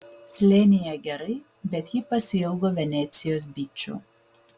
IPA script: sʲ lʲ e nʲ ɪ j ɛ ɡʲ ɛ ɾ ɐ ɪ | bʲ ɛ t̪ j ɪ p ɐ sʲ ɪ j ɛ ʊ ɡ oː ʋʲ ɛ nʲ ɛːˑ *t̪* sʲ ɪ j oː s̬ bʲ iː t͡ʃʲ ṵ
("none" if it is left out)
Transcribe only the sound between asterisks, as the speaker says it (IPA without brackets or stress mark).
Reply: t̪